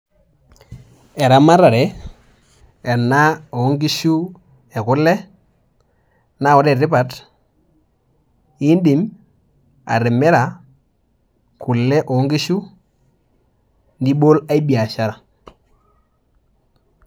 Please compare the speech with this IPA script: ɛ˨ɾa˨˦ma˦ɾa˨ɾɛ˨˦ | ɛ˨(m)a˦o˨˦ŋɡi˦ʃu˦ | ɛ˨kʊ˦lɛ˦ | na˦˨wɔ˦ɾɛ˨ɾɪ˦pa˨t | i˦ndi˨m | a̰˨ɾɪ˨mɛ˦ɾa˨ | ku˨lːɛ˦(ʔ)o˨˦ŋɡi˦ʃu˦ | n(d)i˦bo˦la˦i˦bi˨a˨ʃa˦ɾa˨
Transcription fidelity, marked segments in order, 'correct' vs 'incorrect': incorrect, correct, correct

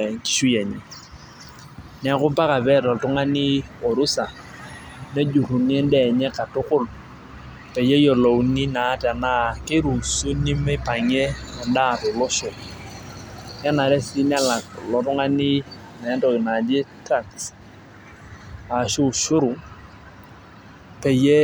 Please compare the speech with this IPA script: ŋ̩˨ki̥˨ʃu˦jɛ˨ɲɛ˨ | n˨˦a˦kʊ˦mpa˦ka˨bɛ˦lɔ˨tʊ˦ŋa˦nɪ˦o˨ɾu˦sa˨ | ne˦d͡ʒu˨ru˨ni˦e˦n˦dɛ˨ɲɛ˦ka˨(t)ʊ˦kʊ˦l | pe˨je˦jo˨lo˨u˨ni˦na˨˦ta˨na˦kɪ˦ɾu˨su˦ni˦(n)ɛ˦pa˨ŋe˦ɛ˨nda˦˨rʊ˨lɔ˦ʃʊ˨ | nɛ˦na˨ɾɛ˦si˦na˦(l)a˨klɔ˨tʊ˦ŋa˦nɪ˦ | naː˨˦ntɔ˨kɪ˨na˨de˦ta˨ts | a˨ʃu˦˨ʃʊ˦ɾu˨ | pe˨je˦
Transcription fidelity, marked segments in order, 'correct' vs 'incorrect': correct, incorrect, correct

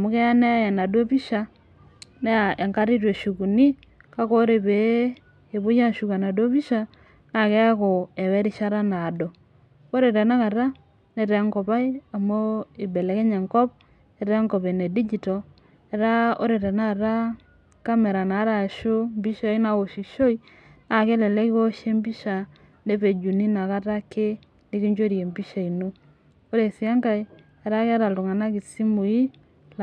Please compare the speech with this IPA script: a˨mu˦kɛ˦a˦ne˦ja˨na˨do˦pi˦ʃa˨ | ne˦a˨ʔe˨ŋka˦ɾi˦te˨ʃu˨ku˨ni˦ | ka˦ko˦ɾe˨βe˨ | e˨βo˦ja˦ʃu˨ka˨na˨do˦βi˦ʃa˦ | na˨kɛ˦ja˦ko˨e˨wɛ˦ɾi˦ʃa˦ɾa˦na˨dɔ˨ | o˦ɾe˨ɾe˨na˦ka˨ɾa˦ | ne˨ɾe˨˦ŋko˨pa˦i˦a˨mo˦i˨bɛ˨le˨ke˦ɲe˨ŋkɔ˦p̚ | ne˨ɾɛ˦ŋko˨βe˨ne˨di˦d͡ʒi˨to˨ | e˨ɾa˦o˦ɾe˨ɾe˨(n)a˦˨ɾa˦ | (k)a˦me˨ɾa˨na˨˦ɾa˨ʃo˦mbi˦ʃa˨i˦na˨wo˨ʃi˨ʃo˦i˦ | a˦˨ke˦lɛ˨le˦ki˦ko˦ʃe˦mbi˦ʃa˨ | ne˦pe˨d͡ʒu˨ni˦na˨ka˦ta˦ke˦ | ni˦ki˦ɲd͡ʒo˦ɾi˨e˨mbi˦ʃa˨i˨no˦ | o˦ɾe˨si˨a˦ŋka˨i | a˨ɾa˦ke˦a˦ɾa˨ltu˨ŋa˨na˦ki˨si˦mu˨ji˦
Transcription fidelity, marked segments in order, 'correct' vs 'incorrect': correct, correct

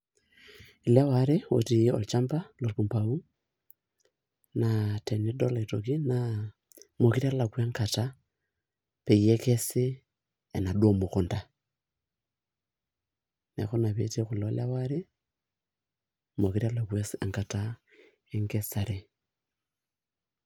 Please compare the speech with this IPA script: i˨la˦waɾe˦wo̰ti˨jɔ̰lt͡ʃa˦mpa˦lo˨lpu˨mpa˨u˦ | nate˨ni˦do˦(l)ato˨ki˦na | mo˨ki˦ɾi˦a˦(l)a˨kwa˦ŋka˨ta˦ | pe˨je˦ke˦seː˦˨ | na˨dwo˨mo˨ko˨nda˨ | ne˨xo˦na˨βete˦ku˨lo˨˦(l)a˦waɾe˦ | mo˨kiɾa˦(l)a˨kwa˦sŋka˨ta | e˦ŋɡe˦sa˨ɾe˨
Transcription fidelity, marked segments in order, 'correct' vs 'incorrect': correct, correct, correct, correct

